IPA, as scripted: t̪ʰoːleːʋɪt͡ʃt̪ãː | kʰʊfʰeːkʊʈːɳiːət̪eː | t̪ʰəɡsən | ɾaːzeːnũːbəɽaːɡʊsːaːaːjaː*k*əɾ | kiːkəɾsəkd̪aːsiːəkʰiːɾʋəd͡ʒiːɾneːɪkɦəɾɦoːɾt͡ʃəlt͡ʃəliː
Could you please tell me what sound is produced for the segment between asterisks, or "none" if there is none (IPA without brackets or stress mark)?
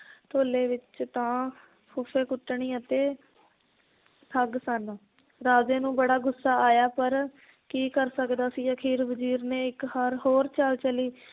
p